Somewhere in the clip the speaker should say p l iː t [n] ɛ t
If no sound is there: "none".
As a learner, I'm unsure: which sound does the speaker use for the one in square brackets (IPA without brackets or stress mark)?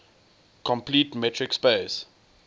m